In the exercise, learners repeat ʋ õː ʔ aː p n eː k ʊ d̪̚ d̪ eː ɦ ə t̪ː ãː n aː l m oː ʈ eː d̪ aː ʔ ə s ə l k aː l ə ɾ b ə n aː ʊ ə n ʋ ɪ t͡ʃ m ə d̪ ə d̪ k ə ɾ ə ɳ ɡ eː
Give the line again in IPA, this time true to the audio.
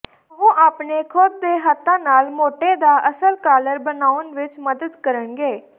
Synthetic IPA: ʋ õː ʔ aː p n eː kʰ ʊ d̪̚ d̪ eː ɦ ə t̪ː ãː n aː l m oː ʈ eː d̪ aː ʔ ə s ə l k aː l ə ɾ b ə n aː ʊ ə n ʋ ɪ t͡ʃ m ə d̪ ə d̪ k ə ɾ ə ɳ ɡ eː